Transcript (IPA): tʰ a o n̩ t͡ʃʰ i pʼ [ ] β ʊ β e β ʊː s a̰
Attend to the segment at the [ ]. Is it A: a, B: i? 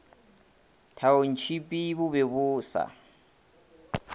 B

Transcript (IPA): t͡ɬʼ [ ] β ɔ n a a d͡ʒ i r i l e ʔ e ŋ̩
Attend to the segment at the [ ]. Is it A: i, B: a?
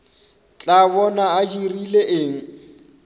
B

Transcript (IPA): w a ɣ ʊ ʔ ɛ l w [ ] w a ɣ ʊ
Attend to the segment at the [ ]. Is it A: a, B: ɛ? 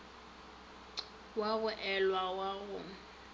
A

